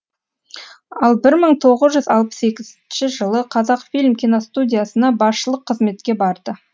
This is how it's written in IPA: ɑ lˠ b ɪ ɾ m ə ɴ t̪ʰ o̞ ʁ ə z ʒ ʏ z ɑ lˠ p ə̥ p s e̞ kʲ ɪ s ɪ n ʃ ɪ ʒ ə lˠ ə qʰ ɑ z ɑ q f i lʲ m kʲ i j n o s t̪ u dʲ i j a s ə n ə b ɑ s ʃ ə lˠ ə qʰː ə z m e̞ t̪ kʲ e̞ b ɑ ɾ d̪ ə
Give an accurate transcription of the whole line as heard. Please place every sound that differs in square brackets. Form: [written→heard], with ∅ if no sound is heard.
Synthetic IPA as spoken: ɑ lˠ b ɪ ɾ m ə ɴ t̪ʰ o̞ ʁ ə z ʒ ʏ z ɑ lˠ p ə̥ [p→∅] s e̞ kʲ ɪ [s→z] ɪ n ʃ ɪ ʒ ə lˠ ə qʰ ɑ z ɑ q f i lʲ m kʲ i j n o s t̪ u dʲ i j a s ə n [ə→ɑ] b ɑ s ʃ ə lˠ ə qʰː ə z m e̞ t̪ kʲ e̞ b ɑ ɾ d̪ ə

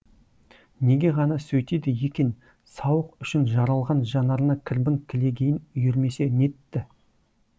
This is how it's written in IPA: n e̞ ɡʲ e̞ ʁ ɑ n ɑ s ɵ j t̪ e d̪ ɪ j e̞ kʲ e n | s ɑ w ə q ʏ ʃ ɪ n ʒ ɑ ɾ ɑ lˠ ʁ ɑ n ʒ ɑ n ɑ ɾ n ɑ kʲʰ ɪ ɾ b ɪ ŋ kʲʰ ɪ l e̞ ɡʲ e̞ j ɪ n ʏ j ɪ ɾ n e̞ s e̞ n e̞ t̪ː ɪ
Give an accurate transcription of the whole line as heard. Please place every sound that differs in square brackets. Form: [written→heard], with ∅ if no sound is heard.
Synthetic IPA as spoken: n e̞ ɡʲ e̞ ʁ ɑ n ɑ s ɵ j t̪ e d̪ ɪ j e̞ kʲ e n | s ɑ w ə q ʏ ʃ ɪ n ʒ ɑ ɾ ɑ lˠ ʁ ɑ n ʒ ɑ n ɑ ɾ n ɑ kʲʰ ɪ ɾ b ɪ ŋ kʲʰ ɪ l e̞ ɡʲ e̞ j ɪ n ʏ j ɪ ɾ [n→m] e̞ s e̞ n e̞ t̪ː ɪ

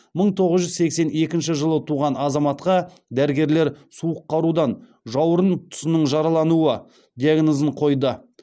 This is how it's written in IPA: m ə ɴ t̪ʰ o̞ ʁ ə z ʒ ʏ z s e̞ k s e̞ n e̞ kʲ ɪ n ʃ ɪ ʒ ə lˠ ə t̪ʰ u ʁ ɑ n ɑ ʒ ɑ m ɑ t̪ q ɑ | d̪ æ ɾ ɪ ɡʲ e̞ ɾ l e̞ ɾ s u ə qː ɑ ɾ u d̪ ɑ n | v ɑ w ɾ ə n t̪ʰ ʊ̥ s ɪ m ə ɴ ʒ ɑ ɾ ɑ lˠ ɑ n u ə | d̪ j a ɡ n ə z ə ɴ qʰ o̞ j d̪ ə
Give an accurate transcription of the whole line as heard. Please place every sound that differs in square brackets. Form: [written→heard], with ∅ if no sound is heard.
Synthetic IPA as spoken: m ə ɴ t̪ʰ o̞ ʁ ə z ʒ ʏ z s e̞ k s e̞ n e̞ kʲ ɪ n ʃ ɪ ʒ ə lˠ ə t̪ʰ u ʁ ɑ n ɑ [ʒ→z] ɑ m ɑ t̪ q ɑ | d̪ æ ɾ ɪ ɡʲ e̞ ɾ l e̞ ɾ s u ə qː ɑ ɾ u d̪ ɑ n | [v→ʒ] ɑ w ɾ ə n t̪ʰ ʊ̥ s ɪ [m→n] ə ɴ ʒ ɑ ɾ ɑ lˠ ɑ n u ə | d̪ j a ɡ n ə z ə ɴ qʰ o̞ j d̪ ə

